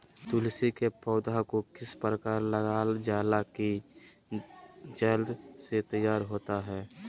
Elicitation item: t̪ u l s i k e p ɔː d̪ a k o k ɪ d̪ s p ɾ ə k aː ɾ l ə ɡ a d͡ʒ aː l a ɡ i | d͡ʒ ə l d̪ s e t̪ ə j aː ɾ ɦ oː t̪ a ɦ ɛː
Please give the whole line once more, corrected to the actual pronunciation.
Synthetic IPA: t̪ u l s i k e p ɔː d̪ a k o k ɪ s p ɾ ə k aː ɾ l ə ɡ a d͡ʒ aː l a k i | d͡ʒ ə l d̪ s e t̪ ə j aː ɾ ɦ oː t̪ a ɦ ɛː

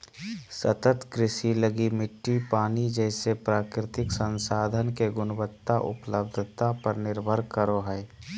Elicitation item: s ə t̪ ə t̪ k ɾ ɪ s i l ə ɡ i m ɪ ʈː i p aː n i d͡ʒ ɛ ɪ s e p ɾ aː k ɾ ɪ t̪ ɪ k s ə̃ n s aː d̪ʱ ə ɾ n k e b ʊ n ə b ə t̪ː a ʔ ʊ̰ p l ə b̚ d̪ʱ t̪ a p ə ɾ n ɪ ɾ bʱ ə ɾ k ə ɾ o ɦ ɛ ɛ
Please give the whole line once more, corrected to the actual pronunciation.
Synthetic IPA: s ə t̪ ə t̪ k ɾ ɪ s i l ə ɡ i m ɪ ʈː i p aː n i d͡ʒ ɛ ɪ s e p ɾ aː k ɾ ɪ t̪ ɪ k s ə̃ n s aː d̪ʱ ə n k e ɡ ʊ n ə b ə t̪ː a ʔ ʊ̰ p l ə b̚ d̪ʱ t̪ a p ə ɾ n ɪ ɾ bʱ ə ɾ k ə ɾ o ɦ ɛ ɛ

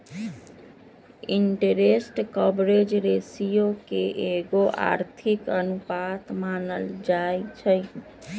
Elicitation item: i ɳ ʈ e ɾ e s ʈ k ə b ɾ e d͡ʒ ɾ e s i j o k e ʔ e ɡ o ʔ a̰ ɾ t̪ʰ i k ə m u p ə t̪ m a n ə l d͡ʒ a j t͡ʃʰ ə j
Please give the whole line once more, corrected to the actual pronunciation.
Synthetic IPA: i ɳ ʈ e ɾ e s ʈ k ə b ɾ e d͡ʒ ɾ e s i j o k e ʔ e ɡ o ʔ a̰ ɾ t̪ʰ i k ə n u p a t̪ m a n ə l d͡ʒ a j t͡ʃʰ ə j

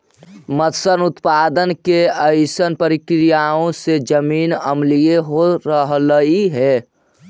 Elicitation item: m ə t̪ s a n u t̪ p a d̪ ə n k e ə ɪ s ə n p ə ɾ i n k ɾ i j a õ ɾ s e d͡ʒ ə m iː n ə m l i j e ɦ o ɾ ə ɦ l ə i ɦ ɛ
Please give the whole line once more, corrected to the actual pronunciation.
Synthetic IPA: m ə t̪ s ə n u t̪ p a d̪ ə n k e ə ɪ s ə n p ə ɾ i k ɾ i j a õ s e d͡ʒ ə m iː n ə m l i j e ɦ o ɾ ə ɦ l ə i ɦ ɛ

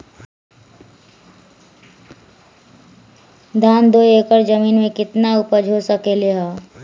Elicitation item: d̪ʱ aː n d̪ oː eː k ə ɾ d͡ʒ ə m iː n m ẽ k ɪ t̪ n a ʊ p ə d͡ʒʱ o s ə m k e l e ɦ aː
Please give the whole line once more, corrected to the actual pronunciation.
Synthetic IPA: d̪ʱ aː n d̪ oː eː k ə ɾ d͡ʒ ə m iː n m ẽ k ɪ t̪ n a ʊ p ə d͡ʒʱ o s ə k e l e ɦ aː

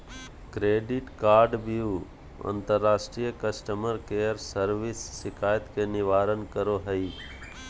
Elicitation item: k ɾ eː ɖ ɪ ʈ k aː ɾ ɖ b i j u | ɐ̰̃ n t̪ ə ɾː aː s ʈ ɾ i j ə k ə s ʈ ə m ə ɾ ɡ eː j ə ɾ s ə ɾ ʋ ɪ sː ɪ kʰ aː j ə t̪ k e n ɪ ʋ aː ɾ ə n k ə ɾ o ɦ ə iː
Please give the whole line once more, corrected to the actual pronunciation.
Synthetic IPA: k ɾ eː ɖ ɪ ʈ k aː ɾ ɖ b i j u | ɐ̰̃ n t̪ ə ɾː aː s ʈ ɾ i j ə k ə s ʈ ə m ə ɾ k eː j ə ɾ s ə ɾ ʋ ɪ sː ɪ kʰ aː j ə t̪ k e n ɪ ʋ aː ɾ ə n k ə ɾ o ɦ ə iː

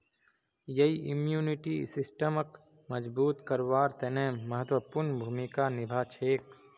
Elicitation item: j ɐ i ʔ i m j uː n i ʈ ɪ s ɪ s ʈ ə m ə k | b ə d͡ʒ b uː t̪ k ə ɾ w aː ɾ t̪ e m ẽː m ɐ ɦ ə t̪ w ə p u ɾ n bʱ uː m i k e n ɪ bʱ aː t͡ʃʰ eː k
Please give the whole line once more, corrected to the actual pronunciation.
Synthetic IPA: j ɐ i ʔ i m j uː n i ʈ i s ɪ s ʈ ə m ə k | m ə d͡ʒ b uː t̪ k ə ɾ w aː ɾ t̪ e n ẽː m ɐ ɦ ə t̪ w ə p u ɾ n bʱ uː m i k a n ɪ bʱ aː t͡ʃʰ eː k

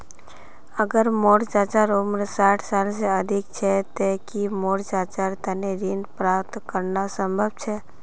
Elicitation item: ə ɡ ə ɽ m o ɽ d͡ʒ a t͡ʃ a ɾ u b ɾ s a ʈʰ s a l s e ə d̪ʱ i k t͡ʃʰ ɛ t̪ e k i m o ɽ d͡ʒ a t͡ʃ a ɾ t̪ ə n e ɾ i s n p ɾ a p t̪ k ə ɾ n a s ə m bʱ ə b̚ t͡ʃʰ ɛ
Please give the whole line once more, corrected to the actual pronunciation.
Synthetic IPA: ə ɡ ə ɾ m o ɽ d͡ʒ a t͡ʃ a ɾ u m ɾ s a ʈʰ s a l s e ə d̪ʱ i k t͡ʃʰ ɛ t̪ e k i m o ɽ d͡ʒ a t͡ʃ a ɾ t̪ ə n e ɾ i n p ɾ a p t̪ k ə ɾ n a s ə m bʱ ə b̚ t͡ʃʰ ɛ

